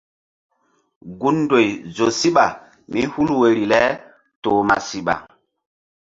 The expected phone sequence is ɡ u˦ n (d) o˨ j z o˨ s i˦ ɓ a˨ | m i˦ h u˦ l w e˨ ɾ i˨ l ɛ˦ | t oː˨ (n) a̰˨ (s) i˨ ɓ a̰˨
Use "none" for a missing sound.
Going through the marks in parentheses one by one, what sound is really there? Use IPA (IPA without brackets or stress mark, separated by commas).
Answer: d, m, s